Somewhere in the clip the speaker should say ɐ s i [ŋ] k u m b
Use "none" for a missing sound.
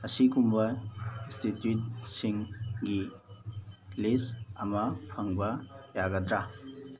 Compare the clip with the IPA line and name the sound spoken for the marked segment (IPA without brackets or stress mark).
none